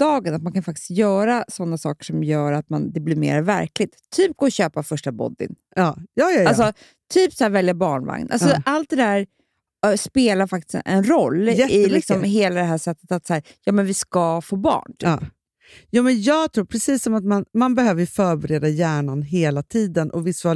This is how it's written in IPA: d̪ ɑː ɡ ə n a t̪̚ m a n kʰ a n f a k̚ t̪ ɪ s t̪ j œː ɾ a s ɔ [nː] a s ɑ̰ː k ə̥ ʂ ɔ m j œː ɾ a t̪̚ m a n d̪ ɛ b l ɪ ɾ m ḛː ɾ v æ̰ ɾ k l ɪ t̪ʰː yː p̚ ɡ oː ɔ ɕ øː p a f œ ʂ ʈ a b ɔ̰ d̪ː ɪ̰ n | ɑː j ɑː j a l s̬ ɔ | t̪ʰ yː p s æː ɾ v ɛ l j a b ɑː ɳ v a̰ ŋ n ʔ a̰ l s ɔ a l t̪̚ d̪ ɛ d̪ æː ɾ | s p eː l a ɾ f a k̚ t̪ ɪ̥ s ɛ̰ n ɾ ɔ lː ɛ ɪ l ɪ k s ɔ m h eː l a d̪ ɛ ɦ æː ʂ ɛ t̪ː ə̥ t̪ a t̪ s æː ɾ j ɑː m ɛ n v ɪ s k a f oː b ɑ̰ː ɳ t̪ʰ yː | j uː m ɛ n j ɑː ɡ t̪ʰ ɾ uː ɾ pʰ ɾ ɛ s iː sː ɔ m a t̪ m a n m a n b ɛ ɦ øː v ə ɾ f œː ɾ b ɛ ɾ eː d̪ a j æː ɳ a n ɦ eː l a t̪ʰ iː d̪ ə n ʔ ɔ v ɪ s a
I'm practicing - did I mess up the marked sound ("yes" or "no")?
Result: no